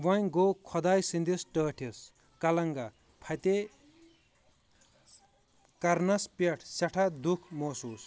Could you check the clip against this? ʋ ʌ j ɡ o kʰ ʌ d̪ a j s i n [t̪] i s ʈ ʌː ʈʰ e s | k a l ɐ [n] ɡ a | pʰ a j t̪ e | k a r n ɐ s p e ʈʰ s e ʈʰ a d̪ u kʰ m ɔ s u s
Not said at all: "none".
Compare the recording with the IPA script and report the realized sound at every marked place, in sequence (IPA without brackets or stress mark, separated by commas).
d̪, ŋ